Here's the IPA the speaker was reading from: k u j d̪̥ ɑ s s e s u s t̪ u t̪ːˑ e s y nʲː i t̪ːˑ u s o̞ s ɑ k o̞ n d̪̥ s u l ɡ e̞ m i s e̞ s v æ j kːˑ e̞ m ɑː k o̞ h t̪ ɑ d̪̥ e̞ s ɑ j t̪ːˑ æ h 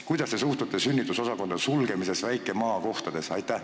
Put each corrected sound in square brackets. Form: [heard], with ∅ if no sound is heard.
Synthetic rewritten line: k u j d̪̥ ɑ s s e s u [h] t̪ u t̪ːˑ e s y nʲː i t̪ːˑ u s o̞ s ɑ k o̞ n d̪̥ s u l ɡ e̞ m i s e̞ s v æ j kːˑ e̞ m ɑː k o̞ h t̪ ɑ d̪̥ e̞ s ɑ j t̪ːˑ æ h

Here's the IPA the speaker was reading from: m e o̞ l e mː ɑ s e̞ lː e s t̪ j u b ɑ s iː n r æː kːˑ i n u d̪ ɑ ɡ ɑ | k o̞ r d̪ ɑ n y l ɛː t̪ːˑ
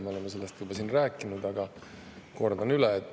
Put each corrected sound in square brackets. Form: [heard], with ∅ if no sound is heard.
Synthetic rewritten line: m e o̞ l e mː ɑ s e̞ lː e s t̪ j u b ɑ s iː n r æː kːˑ i n u d̪ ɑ ɡ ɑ | k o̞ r d̪ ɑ n y l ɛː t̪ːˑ

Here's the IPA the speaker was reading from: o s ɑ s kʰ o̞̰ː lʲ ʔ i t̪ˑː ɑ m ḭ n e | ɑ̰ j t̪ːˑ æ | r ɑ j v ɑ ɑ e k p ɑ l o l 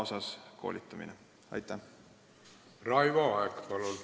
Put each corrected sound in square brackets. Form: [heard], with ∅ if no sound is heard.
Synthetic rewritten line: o s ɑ s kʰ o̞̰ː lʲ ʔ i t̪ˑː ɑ m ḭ n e | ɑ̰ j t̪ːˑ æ | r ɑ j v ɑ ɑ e k p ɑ l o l

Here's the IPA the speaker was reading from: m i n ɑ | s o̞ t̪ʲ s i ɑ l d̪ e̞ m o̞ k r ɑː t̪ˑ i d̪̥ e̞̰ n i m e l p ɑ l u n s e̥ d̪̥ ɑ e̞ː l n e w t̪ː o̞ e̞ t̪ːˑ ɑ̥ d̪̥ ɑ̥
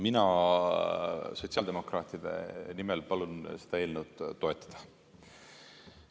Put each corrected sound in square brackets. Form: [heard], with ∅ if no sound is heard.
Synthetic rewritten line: m i n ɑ | s o̞ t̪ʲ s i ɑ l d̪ e̞ m o̞ k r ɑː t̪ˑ i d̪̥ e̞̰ n i m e l p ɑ l u n s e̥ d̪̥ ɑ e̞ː l n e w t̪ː o̞ e̞ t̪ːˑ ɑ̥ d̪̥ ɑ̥

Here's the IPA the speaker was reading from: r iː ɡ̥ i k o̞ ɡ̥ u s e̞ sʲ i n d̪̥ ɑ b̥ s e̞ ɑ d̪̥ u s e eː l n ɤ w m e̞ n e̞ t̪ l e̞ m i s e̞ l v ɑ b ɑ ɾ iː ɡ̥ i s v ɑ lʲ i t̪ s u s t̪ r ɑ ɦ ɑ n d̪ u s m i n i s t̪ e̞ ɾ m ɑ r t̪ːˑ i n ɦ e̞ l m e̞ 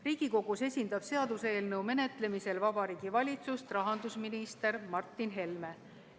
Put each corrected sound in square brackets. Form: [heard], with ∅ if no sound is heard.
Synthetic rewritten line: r iː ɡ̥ i k o̞ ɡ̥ u s e̞ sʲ i n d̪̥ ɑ b̥ s e̞ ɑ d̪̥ u s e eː l n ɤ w m e̞ n e̞ t̪ l e̞ m i s e̞ l v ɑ b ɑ ɾ iː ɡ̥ i [∅] v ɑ lʲ i t̪ s u s t̪ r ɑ ɦ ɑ n d̪ u s m i n i s t̪ e̞ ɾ m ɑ r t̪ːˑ i n ɦ e̞ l m e̞

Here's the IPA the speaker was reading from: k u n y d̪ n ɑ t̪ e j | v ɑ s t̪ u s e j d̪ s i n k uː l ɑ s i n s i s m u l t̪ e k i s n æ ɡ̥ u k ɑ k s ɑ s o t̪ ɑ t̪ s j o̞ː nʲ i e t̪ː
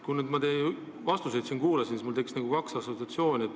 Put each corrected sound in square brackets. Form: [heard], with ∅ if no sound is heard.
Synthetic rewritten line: k u n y d̪ [m] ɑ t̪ e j | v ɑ s t̪ u s e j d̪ s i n k uː l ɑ s i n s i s m u l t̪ e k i s n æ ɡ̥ u k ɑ k s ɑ s o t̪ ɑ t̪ s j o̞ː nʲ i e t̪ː

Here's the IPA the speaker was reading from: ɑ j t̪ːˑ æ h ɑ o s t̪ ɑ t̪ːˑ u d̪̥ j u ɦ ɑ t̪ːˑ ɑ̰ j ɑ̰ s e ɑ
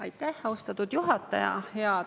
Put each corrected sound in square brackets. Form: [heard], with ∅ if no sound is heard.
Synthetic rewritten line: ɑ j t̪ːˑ æ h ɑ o s t̪ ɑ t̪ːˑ u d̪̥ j u ɦ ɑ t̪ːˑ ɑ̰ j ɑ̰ [h] e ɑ

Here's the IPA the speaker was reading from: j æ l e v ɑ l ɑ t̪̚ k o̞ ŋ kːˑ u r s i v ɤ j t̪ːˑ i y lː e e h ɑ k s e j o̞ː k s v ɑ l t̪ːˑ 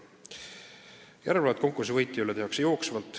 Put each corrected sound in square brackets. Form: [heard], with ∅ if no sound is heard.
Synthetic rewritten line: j æ [ɾ] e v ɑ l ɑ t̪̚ k o̞ ŋ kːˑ u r s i v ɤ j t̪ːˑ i y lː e e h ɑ k s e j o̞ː k s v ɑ l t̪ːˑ

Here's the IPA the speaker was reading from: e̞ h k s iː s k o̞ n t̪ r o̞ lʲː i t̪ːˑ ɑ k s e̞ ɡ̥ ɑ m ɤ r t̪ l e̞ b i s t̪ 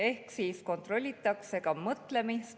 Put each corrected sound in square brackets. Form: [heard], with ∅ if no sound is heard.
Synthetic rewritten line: e̞ h k s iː s k o̞ n t̪ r o̞ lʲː i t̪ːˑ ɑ k s e̞ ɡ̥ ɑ m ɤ [∅] t̪ l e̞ [m] i s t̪

